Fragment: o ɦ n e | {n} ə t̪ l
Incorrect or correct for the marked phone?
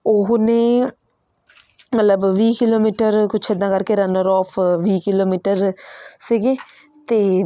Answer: incorrect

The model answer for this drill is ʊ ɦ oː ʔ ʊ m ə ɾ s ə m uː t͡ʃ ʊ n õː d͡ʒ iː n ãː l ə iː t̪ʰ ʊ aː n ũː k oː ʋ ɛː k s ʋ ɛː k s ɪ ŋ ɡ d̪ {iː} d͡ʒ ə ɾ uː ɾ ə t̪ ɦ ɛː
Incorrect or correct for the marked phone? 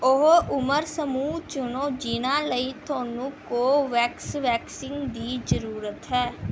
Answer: correct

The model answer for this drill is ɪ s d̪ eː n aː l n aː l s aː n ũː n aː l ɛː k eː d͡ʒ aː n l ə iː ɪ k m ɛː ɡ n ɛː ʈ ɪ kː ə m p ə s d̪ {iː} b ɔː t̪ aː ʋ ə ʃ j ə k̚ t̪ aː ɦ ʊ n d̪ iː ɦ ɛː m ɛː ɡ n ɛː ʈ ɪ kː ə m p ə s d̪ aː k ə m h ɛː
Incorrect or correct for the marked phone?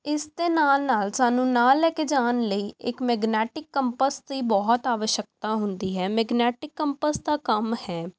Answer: correct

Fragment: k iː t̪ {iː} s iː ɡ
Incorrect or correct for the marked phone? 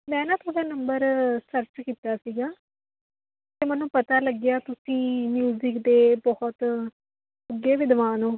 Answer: incorrect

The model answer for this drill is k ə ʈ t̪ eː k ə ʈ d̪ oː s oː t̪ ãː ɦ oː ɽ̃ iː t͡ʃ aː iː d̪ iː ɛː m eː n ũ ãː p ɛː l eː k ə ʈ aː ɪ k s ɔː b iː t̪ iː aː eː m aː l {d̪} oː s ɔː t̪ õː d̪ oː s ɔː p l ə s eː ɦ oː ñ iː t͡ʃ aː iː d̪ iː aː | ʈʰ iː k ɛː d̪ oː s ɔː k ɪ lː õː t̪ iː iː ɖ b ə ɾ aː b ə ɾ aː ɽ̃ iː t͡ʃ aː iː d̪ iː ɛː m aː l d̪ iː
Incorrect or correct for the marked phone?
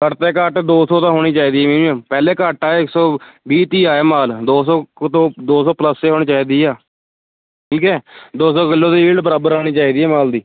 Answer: correct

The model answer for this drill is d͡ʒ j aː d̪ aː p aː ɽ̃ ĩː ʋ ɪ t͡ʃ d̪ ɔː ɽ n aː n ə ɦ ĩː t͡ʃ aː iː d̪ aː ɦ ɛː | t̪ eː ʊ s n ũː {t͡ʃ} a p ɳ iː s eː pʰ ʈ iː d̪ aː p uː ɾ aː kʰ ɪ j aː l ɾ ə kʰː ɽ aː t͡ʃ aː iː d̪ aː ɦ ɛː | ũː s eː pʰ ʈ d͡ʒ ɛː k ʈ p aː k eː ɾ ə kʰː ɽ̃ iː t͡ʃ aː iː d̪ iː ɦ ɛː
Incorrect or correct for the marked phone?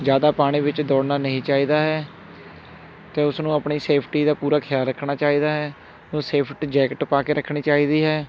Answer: incorrect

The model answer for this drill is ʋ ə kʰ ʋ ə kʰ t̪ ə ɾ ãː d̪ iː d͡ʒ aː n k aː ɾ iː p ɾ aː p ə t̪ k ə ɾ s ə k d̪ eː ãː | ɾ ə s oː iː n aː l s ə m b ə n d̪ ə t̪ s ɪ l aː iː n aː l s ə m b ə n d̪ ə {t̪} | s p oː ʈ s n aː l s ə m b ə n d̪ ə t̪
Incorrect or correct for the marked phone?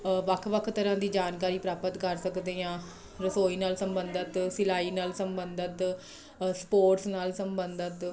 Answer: correct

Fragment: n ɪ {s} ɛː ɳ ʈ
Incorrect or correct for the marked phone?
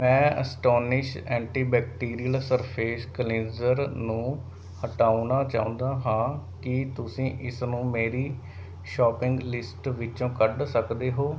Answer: incorrect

